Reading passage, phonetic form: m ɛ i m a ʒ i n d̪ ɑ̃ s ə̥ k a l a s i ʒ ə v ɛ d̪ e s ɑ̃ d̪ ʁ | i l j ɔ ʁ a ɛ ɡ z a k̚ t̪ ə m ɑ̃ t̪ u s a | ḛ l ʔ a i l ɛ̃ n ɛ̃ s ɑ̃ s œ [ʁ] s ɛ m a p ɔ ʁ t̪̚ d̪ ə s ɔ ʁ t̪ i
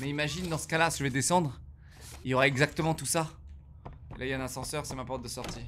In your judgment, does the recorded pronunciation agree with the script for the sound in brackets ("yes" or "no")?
yes